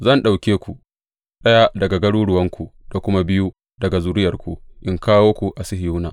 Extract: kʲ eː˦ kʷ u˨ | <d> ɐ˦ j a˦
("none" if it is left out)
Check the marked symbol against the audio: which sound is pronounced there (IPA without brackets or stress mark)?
ɗ